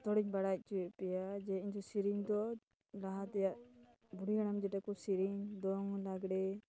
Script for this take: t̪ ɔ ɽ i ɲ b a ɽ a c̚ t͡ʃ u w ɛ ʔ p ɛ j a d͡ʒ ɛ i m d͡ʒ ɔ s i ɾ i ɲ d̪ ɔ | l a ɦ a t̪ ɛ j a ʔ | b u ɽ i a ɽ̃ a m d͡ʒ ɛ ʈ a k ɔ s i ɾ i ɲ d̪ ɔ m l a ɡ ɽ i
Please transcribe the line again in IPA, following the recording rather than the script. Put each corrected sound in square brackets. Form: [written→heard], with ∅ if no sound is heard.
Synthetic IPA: t̪ ɔ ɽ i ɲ b a ɽ a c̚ t͡ʃ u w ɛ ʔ p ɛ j a d͡ʒ ɛ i [m→ɲ] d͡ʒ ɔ s i ɾ i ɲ d̪ ɔ | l a ɦ a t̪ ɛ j a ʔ | b u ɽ i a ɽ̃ a m d͡ʒ ɛ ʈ a k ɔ s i ɾ i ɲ d̪ ɔ [m→ŋ] l a ɡ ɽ [i→ɛ]